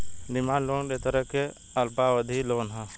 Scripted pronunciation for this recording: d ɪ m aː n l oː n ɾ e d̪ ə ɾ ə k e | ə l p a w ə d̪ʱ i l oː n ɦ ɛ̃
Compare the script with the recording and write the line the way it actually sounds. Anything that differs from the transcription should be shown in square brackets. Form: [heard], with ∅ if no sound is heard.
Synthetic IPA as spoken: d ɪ m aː n l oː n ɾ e [t̪] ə ɾ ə k e | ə l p a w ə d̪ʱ i l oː n ɦ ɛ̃